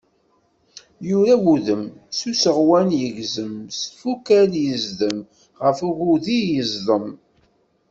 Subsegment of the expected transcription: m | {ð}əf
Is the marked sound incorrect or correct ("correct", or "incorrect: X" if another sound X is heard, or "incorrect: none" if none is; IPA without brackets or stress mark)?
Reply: incorrect: ʁ